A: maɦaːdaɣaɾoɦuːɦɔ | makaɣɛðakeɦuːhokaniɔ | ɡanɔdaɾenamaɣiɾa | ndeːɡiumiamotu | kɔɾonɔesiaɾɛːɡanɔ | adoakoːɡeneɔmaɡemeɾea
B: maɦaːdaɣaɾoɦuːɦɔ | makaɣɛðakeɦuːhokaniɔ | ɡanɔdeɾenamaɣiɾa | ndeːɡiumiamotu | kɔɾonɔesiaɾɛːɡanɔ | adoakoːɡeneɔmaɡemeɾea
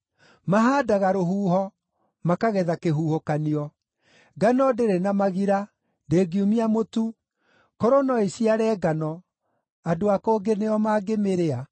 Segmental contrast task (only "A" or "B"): B